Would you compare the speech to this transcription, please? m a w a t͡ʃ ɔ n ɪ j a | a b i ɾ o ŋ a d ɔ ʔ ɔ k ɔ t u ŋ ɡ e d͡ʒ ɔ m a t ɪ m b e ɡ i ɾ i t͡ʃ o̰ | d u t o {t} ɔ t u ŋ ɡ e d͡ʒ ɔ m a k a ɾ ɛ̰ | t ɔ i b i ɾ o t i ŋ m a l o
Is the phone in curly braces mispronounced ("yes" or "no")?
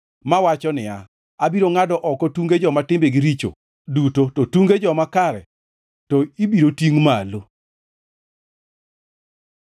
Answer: no